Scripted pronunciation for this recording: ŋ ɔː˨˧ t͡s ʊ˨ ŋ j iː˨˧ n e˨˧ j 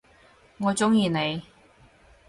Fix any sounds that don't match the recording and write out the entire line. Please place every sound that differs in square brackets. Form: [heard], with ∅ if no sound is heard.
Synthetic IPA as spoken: ŋ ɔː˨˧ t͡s [ʊ˥] ŋ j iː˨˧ n e˨˧ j